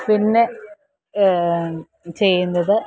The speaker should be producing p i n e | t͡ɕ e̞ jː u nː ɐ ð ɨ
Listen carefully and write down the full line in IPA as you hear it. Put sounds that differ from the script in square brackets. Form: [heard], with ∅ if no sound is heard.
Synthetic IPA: p i [nː] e | t͡ɕ e̞ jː u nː ɐ ð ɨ